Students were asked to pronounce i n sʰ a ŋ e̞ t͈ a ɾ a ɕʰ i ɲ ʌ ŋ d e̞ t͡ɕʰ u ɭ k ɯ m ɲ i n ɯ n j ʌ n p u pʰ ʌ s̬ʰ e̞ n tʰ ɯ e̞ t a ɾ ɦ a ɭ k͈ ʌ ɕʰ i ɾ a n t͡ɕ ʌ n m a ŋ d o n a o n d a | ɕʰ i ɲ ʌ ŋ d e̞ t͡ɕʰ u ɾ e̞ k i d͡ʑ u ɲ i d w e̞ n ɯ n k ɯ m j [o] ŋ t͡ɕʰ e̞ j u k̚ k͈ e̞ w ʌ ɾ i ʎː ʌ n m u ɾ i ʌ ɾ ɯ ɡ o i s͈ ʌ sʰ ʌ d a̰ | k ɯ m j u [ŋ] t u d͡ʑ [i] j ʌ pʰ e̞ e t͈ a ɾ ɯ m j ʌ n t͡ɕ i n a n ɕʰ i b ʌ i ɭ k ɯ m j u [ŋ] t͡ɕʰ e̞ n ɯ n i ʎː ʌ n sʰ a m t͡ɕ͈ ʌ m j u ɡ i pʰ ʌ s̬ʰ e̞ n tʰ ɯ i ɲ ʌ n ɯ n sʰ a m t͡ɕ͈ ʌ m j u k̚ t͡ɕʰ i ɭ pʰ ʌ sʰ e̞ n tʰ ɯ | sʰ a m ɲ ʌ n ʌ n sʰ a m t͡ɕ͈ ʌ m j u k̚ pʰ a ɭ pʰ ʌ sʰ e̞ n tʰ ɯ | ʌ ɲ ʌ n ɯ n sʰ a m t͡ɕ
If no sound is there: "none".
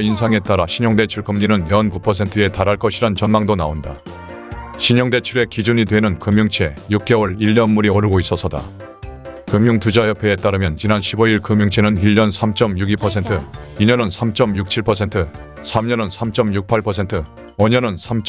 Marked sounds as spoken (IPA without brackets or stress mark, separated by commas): u, ŋ, a, ŋ